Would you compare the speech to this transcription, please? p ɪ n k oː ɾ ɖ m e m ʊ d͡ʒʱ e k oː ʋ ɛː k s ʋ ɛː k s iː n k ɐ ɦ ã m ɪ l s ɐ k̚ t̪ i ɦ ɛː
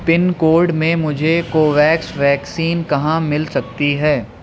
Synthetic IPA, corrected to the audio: p ɪ n k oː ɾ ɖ m ẽ m ʊ d͡ʒʱ e k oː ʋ ɛː k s ʋ ɛː k s iː n k ɐ ɦ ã m ɪ l s ɐ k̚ t̪ i ɦ ɛː

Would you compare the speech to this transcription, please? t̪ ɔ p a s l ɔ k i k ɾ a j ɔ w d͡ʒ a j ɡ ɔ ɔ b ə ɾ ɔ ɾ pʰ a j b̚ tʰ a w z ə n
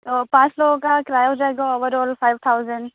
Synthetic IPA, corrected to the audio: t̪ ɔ p a s l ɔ k a k ɾ a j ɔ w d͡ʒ a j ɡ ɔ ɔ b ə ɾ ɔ l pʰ a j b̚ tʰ a w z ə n

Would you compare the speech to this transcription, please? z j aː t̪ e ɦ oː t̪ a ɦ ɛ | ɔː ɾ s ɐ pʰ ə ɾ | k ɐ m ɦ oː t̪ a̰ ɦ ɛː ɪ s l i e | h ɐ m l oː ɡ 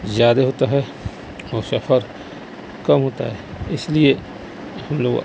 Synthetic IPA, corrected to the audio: z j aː d̪ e ɦ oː t̪ a ɦ ɛ | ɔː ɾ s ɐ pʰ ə ɾ | k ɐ m ɦ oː t̪ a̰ ɦ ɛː ɪ s l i e | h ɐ m l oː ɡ

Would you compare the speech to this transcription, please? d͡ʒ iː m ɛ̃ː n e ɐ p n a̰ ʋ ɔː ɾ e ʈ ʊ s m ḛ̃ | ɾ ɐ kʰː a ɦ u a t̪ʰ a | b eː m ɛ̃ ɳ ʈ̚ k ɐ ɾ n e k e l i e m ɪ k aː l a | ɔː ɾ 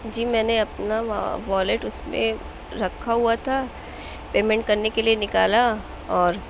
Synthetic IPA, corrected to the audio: d͡ʒ iː m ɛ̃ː n e ɐ p n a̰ ʋ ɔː l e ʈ ʊ s m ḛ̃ | ɾ ɐ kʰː a ɦ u a t̪ʰ a | p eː m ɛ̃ ɳ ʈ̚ k ɐ ɾ n e k e l i e n ɪ k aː l a | ɔː ɾ

